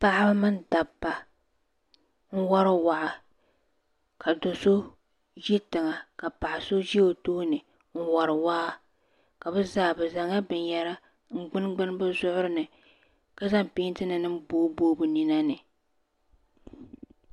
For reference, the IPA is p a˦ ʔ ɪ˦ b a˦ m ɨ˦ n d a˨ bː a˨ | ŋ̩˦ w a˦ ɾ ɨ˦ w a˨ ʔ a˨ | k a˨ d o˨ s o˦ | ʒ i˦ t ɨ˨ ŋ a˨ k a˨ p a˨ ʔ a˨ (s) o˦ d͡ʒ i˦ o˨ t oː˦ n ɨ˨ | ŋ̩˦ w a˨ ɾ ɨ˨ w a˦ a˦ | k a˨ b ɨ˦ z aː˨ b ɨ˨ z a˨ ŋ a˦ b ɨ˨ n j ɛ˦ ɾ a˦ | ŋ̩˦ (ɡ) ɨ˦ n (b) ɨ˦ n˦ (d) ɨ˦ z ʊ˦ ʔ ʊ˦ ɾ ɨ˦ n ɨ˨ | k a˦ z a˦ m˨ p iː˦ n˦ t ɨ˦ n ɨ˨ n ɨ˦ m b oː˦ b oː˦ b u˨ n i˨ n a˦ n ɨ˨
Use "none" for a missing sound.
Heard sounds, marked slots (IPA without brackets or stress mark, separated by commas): s, ɡ͡b, ɡ͡b, b